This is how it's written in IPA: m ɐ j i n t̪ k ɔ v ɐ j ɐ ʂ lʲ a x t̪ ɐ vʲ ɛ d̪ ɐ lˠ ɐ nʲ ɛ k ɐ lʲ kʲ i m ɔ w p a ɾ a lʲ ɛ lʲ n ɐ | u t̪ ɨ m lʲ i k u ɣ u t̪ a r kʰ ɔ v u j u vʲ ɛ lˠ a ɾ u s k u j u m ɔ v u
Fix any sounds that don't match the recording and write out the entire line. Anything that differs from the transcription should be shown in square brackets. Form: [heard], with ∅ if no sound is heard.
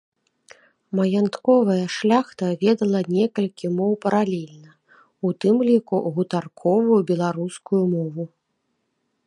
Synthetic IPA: m ɐ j [a] n t̪ k ɔ v ɐ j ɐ ʂ lʲ a x t̪ ɐ vʲ ɛ d̪ ɐ lˠ ɐ nʲ ɛ k ɐ lʲ kʲ i m ɔ w p [ɐ] ɾ a lʲ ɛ lʲ n ɐ | u t̪ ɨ m lʲ i k u ɣ u t̪ a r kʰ ɔ v u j u [bʲ] ɛ lˠ a ɾ u s k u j u m ɔ v u

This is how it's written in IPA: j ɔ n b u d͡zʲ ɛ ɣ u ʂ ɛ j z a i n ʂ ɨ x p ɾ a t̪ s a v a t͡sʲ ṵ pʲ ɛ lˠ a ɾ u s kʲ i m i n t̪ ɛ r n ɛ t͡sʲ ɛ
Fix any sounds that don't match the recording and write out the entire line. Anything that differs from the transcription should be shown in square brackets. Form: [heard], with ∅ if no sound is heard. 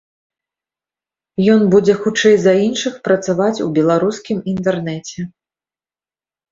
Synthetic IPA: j ɔ n b u d͡zʲ ɛ [x] u [t͡ʂ] ɛ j z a i n ʂ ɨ x p ɾ [ɐ] t̪ s a v a t͡sʲ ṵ [bʲ] ɛ lˠ a ɾ u s kʲ i m i n t̪ ɛ r n ɛ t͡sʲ ɛ

